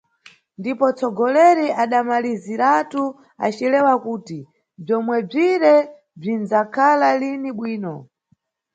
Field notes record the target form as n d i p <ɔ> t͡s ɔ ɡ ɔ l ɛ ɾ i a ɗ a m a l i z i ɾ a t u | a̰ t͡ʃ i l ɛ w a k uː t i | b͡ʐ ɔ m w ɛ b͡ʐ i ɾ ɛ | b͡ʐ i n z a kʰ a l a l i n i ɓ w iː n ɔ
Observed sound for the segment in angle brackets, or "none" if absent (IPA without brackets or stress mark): ɔ